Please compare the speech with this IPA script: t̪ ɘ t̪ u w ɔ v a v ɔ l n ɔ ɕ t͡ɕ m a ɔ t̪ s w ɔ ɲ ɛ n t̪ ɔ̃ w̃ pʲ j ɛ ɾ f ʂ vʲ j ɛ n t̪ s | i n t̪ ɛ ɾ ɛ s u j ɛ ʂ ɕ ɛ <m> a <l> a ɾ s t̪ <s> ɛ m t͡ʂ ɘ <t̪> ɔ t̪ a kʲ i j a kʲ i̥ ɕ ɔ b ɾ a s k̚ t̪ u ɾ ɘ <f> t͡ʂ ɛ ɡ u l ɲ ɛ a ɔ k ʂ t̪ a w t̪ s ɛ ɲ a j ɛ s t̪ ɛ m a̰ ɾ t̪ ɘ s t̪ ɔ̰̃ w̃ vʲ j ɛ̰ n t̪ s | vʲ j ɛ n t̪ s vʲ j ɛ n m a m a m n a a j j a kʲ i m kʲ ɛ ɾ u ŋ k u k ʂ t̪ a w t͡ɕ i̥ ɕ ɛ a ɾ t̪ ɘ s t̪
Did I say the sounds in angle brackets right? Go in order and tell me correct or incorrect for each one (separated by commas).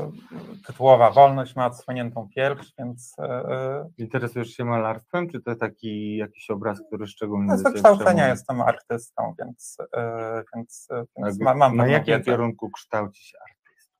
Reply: correct, correct, incorrect, correct, incorrect